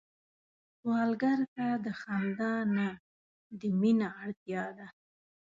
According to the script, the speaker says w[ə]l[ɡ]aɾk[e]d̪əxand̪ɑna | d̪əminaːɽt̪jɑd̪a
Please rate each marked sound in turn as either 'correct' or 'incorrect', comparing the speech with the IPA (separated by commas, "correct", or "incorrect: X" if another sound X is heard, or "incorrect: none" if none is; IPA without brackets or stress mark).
incorrect: ɑ, correct, incorrect: a